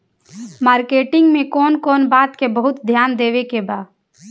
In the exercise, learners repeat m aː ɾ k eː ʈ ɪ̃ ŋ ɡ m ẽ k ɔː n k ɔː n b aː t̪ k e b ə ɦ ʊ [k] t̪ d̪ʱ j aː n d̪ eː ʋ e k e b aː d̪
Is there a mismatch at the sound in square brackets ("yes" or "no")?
yes